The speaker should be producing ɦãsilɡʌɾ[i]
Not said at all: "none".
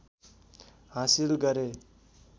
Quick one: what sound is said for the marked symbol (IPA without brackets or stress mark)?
e